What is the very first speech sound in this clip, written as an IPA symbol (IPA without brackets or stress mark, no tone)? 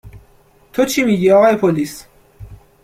t̪ʰ